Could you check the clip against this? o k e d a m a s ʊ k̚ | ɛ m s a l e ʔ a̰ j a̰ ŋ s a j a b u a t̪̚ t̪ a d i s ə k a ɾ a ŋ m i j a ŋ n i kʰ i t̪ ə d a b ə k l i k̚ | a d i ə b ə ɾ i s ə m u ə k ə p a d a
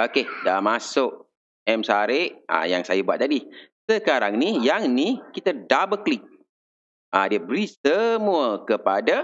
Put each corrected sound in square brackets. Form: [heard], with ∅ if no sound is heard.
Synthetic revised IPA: o k e d a m a s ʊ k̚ | ɛ m s a [ɾ] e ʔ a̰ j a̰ ŋ s a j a b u a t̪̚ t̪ a d i s ə k a ɾ a ŋ [n] i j a ŋ n i [k] i t̪ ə d a b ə k l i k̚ | a d i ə b ə ɾ i s ə m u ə k ə p a d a

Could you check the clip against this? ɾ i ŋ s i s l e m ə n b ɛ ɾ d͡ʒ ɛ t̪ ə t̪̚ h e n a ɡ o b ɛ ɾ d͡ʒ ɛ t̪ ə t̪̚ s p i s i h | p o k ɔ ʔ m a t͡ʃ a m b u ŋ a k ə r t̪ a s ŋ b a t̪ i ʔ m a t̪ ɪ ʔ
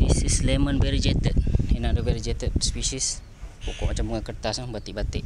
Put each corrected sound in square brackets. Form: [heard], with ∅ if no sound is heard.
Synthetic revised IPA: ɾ i [∅] s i s l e m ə n b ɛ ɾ d͡ʒ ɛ t̪ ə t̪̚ h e n a [d] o b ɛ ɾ d͡ʒ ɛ t̪ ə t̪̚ s p i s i [s] | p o k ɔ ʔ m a t͡ʃ a m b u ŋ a k ə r t̪ a s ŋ b a t̪ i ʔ [b] a t̪ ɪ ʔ

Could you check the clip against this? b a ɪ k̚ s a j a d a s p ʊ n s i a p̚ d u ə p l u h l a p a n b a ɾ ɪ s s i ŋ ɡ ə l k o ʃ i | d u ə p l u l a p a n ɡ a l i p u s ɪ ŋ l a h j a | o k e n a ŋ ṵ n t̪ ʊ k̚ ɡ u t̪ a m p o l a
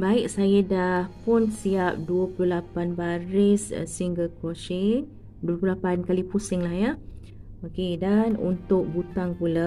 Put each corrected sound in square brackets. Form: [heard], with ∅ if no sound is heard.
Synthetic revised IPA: b a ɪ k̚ s a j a d a [h] p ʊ n s i a p̚ d u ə p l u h l a p a n b a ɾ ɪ s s i ŋ ɡ ə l k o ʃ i | d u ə p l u l a p a n [k] a l i p u s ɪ ŋ l a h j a | o k e [d] a [n] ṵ n t̪ ʊ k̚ [b] u t̪ a [ŋ] p [u] l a

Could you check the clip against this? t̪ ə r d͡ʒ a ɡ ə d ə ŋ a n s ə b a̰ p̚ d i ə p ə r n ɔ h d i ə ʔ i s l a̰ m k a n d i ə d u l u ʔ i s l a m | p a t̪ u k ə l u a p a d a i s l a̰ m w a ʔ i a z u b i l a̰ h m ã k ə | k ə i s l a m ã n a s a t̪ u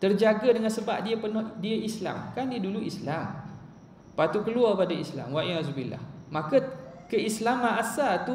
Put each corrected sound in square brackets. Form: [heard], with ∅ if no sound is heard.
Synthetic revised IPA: t̪ ə r d͡ʒ a ɡ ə d ə ŋ a n s ə b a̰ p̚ d i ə p ə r n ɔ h d i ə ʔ i s l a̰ m k a n d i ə d u l u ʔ i s l a m | p a t̪ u k ə l u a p a d a i s l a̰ m w a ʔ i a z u b i l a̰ h m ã k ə | k ə i s l a m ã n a s a t̪ u

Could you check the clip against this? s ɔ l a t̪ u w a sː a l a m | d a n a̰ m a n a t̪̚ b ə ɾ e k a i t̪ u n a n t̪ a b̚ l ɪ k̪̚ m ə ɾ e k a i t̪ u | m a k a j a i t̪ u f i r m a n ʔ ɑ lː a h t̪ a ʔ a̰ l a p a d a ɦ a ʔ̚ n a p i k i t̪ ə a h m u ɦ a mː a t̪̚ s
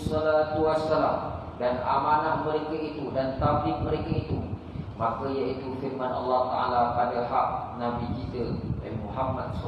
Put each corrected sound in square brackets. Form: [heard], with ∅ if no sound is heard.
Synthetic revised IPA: s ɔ l a t̪ u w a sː a l a m | d a n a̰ m a n a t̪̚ [m] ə ɾ e k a i t̪ u [d] a n t̪ a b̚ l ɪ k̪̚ m ə ɾ e k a i t̪ u | m a k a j a i t̪ u f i r m a n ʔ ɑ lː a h t̪ a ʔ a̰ l a p a d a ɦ a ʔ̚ n a [b] i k i t̪ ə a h m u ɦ a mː a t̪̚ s

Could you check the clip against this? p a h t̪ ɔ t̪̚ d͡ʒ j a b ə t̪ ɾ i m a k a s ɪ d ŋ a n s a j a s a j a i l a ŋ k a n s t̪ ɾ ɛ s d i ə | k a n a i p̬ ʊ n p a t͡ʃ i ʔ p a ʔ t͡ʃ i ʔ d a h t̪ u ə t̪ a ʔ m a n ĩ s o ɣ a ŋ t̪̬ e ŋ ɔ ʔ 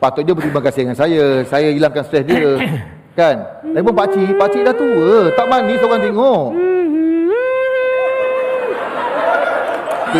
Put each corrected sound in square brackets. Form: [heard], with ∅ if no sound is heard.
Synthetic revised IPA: p a [∅] t̪ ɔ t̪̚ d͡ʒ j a b ə t̪ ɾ i m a k a s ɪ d ŋ a n s a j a s a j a i l a ŋ k a n s t̪ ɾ ɛ s d i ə | k a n a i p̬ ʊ n p a t͡ʃ i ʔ p a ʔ t͡ʃ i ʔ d a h t̪ u ə t̪ a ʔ m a n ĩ s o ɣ a ŋ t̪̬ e ŋ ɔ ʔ

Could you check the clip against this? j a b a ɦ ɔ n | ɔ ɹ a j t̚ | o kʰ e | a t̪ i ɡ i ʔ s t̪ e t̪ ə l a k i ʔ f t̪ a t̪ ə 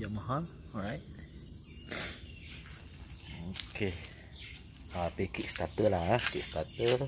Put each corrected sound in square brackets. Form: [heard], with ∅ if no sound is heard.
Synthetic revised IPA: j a [m] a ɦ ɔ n | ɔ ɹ a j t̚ | o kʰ e | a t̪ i [k] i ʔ s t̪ [a] t̪ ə l a k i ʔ [s] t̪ a t̪ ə

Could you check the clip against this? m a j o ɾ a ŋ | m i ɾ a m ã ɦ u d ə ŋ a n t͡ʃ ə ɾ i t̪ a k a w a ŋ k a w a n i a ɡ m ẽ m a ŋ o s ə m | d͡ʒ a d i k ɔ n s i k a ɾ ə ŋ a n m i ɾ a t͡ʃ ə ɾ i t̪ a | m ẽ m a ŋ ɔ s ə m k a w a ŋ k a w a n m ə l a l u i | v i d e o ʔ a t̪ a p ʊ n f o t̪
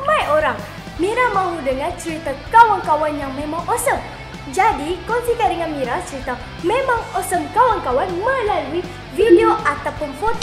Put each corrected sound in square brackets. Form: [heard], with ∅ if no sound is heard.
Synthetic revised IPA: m a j o ɾ a ŋ | m i ɾ a m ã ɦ u d ə ŋ a n t͡ʃ ə ɾ i t̪ a k a w a ŋ k a w a n [j] a [ŋ] m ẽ m a ŋ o s ə m | d͡ʒ a d i k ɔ n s i k a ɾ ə ŋ a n m i ɾ a t͡ʃ ə ɾ i t̪ a | m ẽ m a ŋ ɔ s ə m k a w a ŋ k a w a n m ə l a l u i | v i d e o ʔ a t̪ a p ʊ n f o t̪

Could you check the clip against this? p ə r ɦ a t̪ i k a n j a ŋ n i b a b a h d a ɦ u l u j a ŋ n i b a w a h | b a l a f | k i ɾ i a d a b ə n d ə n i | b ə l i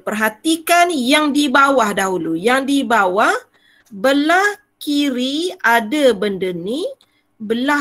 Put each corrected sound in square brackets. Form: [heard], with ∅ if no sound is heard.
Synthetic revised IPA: p ə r ɦ a t̪ i k a n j a ŋ [d] i b a [w] a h d a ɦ u l u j a ŋ [d] i b a w a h | b [ə] l a [h] | k i ɾ i a d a b ə n d ə n i | b ə l [a]

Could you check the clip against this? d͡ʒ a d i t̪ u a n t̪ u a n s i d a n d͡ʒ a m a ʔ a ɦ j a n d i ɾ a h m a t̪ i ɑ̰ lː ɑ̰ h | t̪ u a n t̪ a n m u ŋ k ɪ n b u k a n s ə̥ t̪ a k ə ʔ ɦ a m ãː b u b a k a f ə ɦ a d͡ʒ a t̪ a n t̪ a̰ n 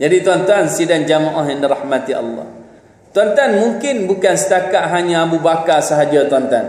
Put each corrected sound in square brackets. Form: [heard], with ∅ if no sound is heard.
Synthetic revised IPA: d͡ʒ a d i t̪ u a n t̪ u a n s i d a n d͡ʒ a m a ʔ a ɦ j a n d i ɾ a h m a t̪ i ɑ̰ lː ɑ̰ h | t̪ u a n t̪ a n m u ŋ k ɪ n b u k a n s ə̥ t̪ a k [a] ʔ ɦ a [ɲ] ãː b u b a k a [s] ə ɦ a d͡ʒ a t̪ a n t̪ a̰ n

